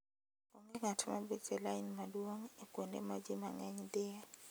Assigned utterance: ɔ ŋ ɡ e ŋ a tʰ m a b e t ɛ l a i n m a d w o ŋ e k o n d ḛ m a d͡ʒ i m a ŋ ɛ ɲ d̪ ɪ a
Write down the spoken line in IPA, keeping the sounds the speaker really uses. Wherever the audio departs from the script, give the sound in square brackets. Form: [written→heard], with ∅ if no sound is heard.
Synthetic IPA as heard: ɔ ŋ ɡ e ŋ a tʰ m a b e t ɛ l a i n m a d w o ŋ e k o n d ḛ m a d͡ʒ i m a ŋ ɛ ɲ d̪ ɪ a